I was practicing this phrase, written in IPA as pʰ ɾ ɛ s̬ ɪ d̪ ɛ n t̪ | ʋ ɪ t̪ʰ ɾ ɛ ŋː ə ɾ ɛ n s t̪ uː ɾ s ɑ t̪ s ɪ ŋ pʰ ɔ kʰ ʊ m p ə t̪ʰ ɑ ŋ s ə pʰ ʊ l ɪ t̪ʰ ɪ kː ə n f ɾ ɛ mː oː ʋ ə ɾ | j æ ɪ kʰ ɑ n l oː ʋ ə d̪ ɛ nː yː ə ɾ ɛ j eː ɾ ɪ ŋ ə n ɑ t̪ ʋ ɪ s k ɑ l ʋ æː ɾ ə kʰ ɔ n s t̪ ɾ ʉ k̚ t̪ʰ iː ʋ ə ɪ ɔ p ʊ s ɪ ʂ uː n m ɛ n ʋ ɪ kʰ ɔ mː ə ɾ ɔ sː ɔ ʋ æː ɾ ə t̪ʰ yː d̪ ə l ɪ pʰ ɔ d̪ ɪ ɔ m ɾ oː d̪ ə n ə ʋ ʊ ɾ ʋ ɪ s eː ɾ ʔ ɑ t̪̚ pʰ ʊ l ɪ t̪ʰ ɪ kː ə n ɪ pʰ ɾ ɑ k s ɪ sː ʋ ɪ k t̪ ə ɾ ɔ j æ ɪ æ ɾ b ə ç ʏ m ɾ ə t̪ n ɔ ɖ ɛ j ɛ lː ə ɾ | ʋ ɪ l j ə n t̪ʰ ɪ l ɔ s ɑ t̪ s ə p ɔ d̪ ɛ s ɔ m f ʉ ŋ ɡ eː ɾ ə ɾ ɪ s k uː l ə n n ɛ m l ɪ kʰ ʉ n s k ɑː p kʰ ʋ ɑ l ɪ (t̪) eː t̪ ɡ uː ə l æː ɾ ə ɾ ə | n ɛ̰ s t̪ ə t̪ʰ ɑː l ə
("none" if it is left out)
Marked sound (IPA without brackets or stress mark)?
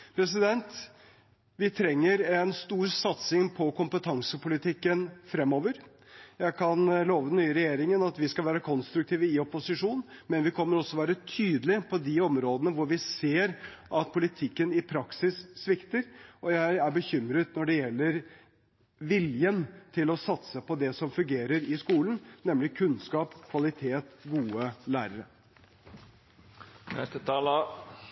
t̪ʰ